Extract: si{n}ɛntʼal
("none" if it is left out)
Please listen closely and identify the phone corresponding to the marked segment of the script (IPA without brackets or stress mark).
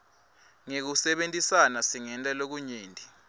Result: ŋ